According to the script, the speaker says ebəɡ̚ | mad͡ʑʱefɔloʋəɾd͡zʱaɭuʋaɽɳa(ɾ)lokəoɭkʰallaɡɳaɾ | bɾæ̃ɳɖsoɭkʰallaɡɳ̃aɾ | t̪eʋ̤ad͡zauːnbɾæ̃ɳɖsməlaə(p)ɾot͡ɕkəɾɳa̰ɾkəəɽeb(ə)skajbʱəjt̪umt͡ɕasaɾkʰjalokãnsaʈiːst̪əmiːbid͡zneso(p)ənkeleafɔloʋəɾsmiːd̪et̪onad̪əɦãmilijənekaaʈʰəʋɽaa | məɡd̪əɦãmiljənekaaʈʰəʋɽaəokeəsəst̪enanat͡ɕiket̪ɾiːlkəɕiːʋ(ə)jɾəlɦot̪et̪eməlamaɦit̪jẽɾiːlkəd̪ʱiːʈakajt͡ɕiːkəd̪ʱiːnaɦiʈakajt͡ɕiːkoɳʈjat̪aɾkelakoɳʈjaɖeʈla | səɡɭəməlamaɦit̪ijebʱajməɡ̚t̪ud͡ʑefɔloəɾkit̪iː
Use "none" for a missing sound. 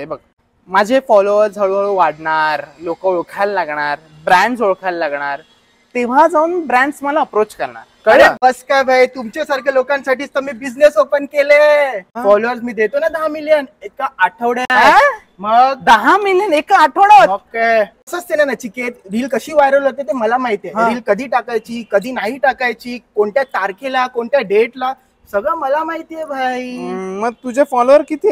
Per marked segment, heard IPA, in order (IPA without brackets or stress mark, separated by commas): ɾ, p, ə, p, a